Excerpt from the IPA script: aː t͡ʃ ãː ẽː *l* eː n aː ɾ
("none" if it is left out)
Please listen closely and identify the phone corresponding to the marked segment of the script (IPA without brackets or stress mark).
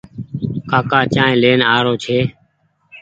l